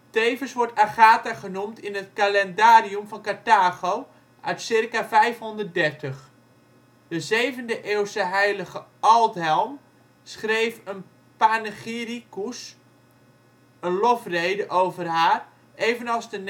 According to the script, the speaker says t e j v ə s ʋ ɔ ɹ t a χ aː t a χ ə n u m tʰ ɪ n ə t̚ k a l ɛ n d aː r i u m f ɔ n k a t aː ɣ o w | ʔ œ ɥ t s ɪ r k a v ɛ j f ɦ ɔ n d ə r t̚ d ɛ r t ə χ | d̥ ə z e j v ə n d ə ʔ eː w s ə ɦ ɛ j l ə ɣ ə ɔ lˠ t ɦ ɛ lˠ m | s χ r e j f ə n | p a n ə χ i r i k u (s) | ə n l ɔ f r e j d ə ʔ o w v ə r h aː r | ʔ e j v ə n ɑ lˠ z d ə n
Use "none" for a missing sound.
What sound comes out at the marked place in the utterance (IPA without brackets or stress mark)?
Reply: s